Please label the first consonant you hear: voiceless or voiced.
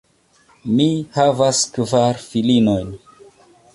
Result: voiced